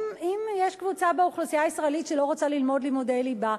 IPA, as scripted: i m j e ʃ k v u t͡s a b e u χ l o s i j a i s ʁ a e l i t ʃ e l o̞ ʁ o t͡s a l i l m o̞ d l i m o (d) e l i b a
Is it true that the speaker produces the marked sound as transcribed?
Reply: yes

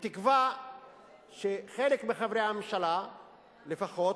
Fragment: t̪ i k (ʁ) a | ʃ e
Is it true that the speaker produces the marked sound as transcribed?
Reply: no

